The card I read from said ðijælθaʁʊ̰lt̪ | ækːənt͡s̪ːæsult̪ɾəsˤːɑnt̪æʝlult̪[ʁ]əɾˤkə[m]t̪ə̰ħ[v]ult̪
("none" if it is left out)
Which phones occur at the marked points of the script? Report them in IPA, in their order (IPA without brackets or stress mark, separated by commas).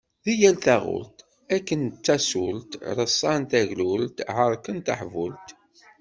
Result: ʕ, n, v